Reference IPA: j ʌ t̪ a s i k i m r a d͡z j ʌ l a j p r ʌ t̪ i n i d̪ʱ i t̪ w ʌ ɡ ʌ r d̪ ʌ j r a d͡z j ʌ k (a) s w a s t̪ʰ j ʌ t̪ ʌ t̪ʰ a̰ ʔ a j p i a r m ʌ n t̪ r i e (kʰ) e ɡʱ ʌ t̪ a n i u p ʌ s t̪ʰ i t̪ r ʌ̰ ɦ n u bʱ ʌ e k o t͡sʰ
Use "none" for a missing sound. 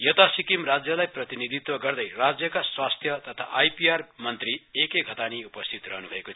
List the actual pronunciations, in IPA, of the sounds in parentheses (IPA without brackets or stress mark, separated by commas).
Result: a, k